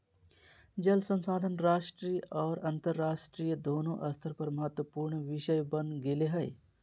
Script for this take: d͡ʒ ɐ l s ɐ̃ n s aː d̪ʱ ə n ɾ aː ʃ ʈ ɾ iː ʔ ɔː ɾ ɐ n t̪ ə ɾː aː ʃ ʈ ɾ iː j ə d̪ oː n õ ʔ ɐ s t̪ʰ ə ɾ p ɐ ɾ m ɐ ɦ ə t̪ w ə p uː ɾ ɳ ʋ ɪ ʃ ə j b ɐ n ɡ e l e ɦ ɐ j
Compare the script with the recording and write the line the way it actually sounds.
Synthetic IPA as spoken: d͡ʒ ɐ l s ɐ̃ n s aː d̪ʱ ə n ɾ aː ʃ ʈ ɾ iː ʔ ɔː ɾ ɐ n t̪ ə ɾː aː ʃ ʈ ɾ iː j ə d̪ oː n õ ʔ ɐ s t̪ʰ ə ɾ p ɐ ɾ m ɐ ɦ ə t̪ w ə p uː ɾ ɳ ʋ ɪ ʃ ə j b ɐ n ɡ e l e ɦ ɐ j